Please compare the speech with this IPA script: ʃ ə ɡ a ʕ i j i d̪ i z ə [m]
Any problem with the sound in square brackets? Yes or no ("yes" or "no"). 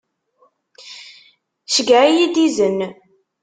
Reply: yes